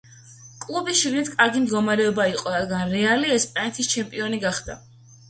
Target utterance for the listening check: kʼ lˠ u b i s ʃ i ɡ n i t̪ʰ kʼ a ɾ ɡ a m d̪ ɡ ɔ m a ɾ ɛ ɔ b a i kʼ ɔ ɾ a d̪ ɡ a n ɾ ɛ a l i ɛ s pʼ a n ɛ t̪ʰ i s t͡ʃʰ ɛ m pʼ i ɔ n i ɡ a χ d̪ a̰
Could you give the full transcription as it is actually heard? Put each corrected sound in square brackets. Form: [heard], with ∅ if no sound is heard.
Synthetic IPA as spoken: kʼ lˠ u b i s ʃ i ɡ n i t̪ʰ kʼ a ɾ ɡ [i] m d̪ ɡ ɔ m a ɾ ɛ ɔ b a i [qʼ] ɔ ɾ a d̪ ɡ a n ɾ ɛ a l i ɛ s pʼ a n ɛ t̪ʰ i s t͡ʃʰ ɛ m pʼ i ɔ n i ɡ a χ d̪ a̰